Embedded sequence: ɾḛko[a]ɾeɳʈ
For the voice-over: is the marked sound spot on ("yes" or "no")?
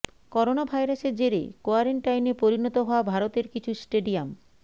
yes